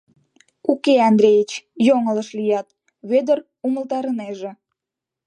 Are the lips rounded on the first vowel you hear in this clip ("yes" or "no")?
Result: yes